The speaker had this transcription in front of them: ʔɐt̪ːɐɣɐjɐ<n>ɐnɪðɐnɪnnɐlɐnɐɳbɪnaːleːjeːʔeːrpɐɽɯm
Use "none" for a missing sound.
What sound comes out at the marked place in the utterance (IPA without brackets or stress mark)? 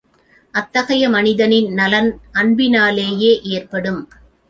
m